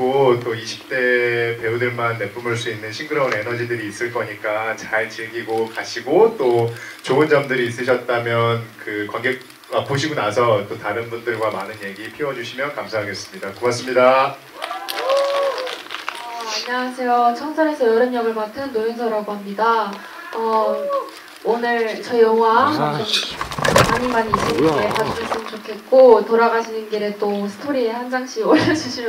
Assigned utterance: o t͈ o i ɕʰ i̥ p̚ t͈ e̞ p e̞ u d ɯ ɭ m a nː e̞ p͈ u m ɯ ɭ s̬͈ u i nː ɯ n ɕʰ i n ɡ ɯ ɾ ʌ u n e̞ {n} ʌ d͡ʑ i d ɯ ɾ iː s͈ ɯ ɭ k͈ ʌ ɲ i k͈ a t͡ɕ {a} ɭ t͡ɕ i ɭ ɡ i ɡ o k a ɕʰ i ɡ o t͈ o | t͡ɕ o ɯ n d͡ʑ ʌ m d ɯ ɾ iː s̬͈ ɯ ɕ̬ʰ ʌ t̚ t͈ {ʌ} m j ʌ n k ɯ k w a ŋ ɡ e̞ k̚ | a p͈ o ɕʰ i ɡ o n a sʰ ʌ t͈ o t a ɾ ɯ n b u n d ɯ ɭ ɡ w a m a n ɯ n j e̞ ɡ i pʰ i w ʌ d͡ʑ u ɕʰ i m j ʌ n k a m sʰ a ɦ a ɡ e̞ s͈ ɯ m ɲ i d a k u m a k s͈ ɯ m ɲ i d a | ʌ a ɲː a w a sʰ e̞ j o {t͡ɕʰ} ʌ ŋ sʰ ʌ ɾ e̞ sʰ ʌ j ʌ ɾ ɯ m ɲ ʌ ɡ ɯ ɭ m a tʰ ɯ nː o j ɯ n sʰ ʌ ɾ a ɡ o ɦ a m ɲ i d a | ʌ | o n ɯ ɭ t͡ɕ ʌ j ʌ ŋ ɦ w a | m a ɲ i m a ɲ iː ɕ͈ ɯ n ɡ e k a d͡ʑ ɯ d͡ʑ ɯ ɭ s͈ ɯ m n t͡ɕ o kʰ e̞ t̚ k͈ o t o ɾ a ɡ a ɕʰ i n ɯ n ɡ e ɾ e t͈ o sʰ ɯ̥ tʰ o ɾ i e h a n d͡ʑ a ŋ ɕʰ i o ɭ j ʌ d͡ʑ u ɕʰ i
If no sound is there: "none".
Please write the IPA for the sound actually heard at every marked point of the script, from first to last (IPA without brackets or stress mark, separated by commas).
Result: n, a, a, t͡ɕʰ